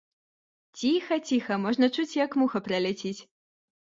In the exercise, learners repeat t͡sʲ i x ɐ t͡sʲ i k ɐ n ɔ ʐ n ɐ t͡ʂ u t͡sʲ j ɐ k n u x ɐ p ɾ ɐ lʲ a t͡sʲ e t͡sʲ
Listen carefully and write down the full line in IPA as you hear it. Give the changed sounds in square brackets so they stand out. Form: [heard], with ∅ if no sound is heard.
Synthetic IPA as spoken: t͡sʲ i x ɐ t͡sʲ i [x] ɐ [m] ɔ ʐ n ɐ t͡ʂ u t͡sʲ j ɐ k [m] u x ɐ p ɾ ɐ lʲ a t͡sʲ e t͡sʲ